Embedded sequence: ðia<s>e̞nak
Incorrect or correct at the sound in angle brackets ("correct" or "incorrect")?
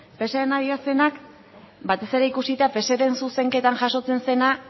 correct